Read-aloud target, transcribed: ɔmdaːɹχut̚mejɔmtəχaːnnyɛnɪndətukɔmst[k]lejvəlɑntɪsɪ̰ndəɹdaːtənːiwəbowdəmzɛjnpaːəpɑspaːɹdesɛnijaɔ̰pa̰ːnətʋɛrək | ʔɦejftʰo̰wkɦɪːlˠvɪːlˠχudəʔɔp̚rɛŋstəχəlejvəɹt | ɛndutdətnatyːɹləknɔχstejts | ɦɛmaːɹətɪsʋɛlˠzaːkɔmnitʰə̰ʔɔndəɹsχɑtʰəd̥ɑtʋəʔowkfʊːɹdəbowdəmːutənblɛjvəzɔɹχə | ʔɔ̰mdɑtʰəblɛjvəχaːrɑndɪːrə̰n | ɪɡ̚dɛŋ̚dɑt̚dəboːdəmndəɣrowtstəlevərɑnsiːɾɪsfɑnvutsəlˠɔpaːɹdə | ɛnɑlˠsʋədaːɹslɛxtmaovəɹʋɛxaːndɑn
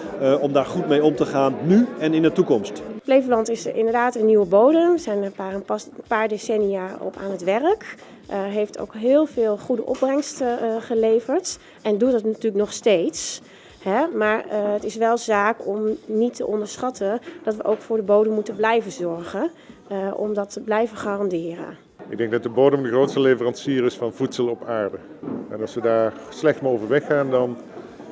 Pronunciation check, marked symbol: incorrect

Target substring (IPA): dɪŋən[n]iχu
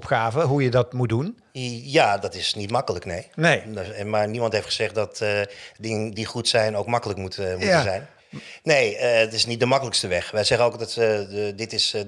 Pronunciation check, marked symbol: incorrect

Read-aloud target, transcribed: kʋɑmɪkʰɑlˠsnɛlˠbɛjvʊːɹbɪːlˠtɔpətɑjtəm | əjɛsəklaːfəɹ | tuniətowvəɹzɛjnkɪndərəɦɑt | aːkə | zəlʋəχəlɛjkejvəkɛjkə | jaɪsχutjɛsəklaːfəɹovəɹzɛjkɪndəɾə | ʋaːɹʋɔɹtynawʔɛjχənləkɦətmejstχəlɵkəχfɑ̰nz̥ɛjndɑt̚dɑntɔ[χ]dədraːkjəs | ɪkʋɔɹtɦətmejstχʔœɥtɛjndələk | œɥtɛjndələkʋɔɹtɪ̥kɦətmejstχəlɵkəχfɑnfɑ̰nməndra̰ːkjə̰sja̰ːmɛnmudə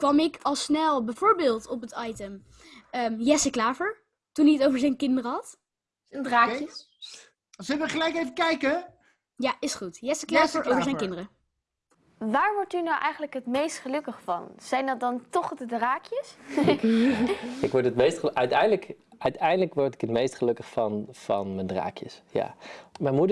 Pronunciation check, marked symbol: correct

